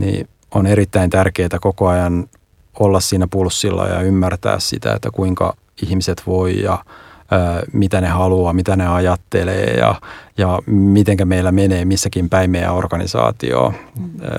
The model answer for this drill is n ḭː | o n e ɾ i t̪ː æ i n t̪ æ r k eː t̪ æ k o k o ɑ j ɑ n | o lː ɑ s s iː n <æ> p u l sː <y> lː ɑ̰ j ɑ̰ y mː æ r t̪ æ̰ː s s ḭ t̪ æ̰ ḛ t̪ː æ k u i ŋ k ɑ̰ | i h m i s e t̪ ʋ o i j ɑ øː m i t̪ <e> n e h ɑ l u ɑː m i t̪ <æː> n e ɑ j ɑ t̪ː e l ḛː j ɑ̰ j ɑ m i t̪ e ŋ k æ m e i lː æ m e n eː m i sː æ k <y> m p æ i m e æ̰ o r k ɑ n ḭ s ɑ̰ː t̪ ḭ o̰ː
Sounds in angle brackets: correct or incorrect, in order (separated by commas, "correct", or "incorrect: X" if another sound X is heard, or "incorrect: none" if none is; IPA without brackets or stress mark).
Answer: correct, incorrect: i, incorrect: æ, incorrect: æ, incorrect: i